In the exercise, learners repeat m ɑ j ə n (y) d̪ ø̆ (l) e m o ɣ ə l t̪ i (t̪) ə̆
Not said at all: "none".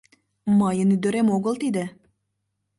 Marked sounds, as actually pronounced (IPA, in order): y, ɾ, d̪

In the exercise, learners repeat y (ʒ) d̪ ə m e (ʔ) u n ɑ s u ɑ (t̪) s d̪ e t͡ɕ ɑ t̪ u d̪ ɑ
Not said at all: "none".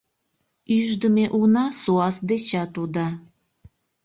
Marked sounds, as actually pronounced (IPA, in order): ʒ, ʔ, none

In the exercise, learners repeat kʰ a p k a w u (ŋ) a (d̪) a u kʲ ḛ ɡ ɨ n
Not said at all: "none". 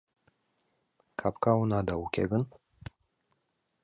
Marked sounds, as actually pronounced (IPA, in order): n, d̪

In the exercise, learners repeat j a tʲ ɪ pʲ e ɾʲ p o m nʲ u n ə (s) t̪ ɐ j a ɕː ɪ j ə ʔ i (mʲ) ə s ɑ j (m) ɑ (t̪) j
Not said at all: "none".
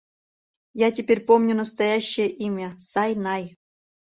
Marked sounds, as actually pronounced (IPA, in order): s, mʲ, n, none

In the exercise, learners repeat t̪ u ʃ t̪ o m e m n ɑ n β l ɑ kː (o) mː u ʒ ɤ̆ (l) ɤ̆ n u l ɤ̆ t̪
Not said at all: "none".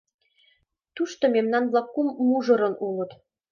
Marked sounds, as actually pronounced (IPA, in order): u, ɾ

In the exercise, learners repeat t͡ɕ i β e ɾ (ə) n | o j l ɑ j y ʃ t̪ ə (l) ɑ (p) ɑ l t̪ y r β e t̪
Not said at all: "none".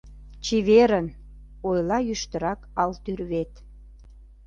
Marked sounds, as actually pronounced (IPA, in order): ə, ɾ, k

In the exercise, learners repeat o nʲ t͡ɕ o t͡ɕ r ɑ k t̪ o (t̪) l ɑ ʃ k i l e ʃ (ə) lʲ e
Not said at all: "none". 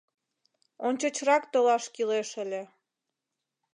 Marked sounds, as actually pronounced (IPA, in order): none, ə

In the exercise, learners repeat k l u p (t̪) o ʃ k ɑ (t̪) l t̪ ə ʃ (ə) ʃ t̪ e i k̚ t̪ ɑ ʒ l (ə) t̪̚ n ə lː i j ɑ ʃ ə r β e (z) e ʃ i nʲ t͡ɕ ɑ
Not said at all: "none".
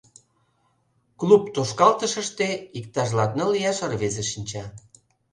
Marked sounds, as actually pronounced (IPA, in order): t̪, none, ə, ɑ, z

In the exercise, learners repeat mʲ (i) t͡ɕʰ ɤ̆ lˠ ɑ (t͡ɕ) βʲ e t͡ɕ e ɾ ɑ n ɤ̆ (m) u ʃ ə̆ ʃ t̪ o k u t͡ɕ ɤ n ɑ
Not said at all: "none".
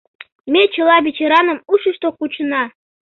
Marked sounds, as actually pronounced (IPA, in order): e, none, m

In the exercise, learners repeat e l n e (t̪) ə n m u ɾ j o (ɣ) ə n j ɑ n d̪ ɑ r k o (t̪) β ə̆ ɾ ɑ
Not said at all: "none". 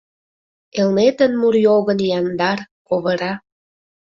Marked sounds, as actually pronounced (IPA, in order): t̪, ɣ, none

